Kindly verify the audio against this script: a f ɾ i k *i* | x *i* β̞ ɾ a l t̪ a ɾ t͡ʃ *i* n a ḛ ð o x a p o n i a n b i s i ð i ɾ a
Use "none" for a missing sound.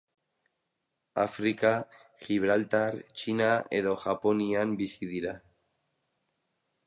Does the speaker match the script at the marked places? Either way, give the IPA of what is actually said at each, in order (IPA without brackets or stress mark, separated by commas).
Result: a, i, i